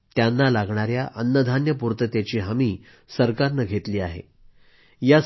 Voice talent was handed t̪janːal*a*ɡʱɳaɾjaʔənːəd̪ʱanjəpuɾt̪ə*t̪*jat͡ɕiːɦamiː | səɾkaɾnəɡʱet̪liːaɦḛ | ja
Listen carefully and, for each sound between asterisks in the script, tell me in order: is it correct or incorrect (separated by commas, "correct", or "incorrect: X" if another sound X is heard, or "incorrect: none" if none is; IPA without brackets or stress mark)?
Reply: correct, correct